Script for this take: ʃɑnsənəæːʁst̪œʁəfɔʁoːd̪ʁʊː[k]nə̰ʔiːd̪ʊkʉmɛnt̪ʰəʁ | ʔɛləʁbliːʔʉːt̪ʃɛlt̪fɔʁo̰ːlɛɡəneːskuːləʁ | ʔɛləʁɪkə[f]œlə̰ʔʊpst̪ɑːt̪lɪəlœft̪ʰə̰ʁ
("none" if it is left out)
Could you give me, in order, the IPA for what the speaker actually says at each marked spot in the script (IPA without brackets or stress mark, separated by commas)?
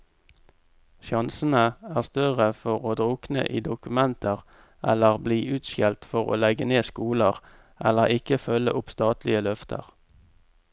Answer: k, f